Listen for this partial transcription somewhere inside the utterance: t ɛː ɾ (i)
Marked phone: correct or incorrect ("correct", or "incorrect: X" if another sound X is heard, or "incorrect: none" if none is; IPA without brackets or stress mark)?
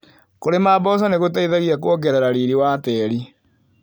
correct